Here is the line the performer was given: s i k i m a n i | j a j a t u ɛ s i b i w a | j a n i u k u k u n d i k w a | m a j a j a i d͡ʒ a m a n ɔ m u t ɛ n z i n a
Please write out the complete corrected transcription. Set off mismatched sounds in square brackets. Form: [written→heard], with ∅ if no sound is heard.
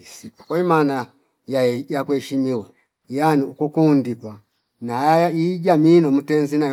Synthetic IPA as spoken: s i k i m a n [i→a] | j a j a [t→k] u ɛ [s→ʃ] i [b→m] i w a | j a n i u k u k u n d i k w a | [m→n] a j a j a i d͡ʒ a m [a→i] n ɔ m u t ɛ n z i n a